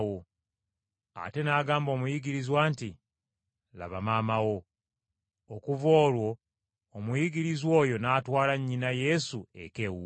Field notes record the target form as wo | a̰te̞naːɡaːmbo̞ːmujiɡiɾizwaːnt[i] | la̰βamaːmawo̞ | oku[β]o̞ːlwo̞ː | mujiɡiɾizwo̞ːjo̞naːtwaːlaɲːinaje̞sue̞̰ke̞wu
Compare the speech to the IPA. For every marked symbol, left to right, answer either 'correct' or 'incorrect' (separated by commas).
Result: correct, incorrect